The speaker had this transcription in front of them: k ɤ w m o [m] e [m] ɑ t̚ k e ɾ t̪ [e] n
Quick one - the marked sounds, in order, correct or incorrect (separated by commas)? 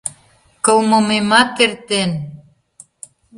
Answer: correct, correct, correct